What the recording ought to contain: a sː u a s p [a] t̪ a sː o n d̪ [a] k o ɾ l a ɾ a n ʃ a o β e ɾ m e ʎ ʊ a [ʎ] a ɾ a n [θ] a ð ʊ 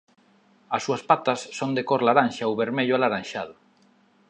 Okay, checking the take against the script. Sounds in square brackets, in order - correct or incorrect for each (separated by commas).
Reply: correct, incorrect, incorrect, incorrect